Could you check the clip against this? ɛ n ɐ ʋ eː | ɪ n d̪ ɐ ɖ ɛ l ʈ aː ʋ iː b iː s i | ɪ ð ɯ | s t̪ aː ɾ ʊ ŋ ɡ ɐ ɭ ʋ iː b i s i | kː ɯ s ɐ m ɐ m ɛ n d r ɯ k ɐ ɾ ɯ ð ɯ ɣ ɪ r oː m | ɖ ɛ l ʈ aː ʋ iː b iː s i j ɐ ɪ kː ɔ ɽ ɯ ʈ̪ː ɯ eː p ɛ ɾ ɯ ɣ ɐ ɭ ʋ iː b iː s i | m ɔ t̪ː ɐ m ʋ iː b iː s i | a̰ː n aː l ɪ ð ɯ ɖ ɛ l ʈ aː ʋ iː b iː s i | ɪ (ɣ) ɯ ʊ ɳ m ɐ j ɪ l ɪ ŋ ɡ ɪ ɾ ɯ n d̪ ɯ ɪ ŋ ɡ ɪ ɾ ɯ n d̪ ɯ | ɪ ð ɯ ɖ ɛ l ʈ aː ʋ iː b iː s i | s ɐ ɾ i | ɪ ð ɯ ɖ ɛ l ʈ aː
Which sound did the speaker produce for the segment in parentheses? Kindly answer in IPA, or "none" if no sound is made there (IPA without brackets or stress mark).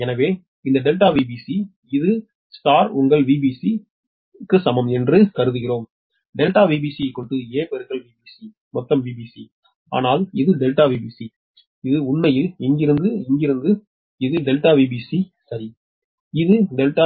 ð